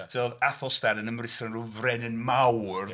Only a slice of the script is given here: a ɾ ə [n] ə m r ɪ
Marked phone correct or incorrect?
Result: correct